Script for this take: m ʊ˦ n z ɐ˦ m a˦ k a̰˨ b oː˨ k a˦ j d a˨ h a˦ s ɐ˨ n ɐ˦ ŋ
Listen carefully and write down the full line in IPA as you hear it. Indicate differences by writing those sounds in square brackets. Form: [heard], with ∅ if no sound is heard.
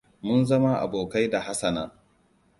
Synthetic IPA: m ʊ˦ n z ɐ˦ m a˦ [ʔ] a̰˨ b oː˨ k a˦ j d a˨ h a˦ s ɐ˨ n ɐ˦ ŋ